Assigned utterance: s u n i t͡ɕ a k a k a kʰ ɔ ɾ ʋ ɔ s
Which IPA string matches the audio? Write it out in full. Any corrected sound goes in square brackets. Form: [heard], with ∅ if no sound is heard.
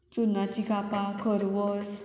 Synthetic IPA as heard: [t͡s] u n [a] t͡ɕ [i] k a [p] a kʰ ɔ ɾ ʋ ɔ s